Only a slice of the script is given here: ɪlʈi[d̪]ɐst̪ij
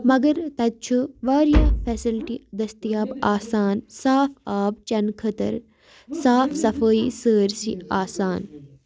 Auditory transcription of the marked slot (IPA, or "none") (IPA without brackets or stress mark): d̪